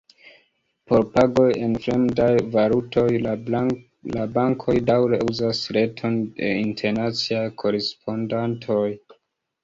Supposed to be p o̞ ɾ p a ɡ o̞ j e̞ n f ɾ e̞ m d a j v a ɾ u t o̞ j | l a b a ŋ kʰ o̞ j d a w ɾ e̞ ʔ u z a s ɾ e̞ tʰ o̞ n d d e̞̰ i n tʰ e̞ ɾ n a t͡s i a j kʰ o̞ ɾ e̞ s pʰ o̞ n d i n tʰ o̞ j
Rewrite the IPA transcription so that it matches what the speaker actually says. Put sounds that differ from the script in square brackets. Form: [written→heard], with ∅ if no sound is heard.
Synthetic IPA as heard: p o̞ ɾ p a ɡ o̞ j e̞ n f ɾ e̞ m d a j v a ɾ u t o̞ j | l a b a ŋ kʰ o̞ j d a w ɾ e̞ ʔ u z a s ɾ e̞ tʰ o̞ n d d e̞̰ i n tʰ e̞ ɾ n a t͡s i a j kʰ o̞ ɾ e̞ s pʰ o̞ n d [i→a] n tʰ o̞ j